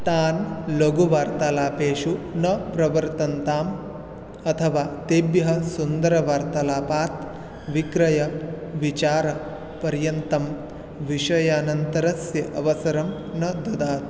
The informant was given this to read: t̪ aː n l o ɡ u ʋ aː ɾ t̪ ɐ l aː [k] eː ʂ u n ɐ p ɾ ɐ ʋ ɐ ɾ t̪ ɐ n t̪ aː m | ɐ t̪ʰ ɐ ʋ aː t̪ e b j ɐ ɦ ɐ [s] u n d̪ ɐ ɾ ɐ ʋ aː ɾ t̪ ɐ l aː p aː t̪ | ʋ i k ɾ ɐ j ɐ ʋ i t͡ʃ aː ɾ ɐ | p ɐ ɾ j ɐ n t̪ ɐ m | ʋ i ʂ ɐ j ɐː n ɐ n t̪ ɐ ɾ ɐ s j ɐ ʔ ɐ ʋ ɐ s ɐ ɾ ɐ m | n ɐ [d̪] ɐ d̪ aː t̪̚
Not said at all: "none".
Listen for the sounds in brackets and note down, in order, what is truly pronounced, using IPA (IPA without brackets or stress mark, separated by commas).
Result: p, s, d̪